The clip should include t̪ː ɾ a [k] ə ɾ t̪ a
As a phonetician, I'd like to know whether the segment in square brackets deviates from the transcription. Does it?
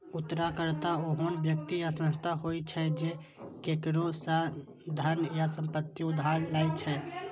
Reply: no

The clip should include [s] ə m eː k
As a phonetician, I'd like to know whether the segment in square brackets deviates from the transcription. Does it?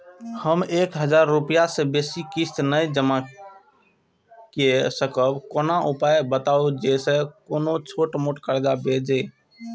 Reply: yes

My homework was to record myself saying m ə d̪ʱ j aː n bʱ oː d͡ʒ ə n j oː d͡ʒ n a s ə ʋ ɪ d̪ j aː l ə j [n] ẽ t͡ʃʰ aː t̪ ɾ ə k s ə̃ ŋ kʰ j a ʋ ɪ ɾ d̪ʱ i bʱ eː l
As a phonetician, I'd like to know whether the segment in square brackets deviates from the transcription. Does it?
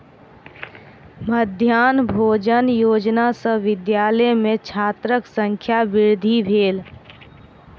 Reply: yes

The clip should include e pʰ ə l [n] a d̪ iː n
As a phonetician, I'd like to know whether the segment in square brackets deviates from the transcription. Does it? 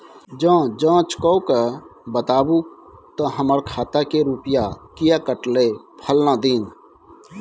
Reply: no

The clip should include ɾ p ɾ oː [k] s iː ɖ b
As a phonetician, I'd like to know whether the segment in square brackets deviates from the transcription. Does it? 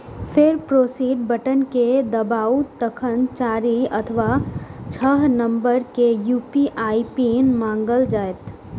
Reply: yes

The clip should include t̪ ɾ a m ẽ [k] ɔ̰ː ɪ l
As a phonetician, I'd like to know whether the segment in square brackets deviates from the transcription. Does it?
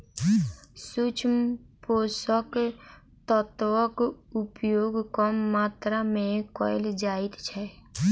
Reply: no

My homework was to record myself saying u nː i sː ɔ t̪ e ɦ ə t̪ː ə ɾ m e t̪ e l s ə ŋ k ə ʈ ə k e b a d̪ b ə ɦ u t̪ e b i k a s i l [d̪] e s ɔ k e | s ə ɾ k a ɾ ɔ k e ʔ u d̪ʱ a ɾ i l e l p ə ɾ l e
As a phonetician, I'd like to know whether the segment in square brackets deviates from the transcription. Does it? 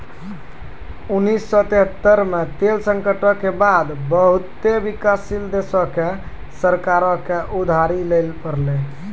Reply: no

